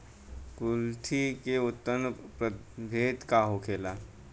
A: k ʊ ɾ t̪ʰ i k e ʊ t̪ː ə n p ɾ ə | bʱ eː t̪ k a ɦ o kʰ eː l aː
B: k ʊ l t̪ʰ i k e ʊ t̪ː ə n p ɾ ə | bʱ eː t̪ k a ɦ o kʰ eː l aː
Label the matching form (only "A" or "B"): B